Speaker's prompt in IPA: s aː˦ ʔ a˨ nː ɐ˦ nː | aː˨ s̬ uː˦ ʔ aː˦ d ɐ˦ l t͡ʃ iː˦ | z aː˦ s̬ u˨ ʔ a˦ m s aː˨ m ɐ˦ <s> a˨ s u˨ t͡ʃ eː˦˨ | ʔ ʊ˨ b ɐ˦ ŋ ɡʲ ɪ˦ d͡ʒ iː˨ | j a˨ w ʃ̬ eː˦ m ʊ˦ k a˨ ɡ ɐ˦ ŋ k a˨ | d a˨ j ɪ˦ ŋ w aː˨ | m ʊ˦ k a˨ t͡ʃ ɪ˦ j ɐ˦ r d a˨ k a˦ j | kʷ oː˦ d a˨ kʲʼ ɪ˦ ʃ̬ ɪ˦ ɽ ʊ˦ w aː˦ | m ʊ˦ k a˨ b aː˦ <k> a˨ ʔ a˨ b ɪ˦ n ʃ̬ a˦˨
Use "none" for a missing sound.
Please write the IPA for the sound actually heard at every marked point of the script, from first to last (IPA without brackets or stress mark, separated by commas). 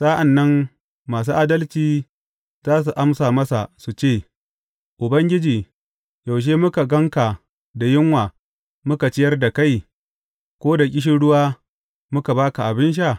s, k